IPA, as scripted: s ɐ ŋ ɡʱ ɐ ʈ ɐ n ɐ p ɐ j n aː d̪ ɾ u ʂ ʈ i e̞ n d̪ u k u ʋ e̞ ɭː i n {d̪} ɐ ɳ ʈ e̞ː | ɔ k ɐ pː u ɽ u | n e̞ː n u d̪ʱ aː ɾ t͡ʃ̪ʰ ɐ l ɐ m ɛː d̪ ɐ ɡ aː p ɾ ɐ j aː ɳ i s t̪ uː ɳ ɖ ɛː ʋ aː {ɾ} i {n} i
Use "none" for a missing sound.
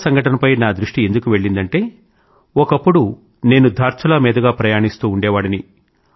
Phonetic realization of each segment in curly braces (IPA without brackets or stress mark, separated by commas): d̪, ɽ, n